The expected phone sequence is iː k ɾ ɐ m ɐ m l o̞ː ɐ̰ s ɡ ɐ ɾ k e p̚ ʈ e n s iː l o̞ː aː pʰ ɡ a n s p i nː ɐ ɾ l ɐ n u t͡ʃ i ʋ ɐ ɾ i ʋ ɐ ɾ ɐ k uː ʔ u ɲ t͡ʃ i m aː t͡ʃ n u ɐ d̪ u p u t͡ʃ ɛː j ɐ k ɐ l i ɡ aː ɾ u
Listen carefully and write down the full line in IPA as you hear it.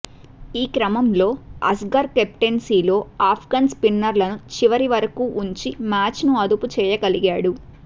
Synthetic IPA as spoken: iː k ɾ ɐ m ɐ m l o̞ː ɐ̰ s ɡ ɐ ɾ k e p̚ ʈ e n s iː l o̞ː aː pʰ ɡ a n s p i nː ɐ ɾ l ɐ n u t͡ʃ i ʋ ɐ ɾ i ʋ ɐ ɾ ɐ k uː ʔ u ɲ t͡ʃ i m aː t͡ʃ n u ɐ d̪ u p u t͡ʃ ɛː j ɐ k ɐ l i ɡ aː ɽ u